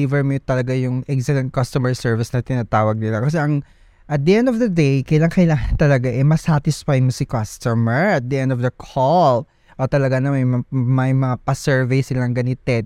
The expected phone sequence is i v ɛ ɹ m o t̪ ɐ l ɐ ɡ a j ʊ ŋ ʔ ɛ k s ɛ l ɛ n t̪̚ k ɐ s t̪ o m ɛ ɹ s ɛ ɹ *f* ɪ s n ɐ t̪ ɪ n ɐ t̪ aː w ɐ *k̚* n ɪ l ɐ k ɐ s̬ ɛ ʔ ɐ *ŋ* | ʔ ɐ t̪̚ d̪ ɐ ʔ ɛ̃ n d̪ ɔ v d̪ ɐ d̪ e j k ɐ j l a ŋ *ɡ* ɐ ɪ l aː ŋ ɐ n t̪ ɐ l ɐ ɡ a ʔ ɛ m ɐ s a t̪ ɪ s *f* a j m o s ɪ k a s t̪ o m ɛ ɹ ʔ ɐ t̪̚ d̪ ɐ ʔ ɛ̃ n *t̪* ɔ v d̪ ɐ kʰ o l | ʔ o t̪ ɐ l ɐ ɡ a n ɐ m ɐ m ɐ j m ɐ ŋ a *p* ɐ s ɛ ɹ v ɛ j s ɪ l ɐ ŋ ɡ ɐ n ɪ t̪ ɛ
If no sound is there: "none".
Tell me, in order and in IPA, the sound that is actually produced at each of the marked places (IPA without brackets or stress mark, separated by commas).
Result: v, ɡ̚, ŋ, k, f, d̪, p